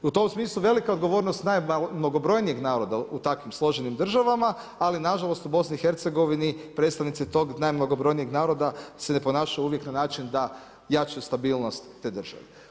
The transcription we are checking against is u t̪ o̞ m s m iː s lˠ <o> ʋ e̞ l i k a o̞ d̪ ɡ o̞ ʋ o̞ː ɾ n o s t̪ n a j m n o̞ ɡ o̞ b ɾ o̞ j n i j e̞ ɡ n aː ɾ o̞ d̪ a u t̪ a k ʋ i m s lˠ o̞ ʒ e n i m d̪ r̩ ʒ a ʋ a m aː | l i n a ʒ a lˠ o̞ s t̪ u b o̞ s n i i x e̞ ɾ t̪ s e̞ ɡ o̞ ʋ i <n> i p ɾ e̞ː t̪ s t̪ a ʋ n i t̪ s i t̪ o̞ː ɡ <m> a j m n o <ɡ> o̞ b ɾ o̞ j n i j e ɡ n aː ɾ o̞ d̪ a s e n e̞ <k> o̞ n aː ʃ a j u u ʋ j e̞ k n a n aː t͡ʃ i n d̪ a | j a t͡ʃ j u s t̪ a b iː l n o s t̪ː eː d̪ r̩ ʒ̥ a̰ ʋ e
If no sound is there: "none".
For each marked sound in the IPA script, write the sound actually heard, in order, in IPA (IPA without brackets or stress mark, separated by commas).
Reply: u, n, n, ɡ, p